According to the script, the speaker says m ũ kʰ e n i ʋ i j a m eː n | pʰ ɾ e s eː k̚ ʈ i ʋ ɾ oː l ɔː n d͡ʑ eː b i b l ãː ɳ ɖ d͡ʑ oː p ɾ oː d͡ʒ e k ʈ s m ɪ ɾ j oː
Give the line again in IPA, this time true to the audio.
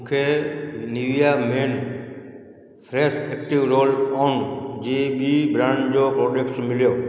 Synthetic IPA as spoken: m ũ kʰ e n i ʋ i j a m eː n | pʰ ɾ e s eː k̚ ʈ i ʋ ɾ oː l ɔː n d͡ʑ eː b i b ɾ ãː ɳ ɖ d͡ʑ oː p ɾ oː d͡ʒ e k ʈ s m ɪ l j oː